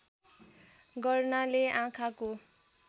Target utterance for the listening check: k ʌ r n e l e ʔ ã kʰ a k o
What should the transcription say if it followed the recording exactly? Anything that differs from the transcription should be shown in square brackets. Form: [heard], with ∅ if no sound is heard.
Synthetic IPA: [ɡ] ʌ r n [a] l e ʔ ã kʰ a k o